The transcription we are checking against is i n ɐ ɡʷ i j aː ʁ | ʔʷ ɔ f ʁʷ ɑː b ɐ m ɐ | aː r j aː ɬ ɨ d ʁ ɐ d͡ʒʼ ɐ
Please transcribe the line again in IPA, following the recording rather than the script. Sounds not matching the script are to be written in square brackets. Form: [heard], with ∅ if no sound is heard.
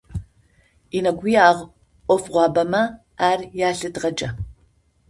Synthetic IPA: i n ɐ ɡʷ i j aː ʁ | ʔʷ ɔ f ʁʷ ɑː b ɐ m ɐ | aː r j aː ɬ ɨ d ʁ ɐ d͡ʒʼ ɐ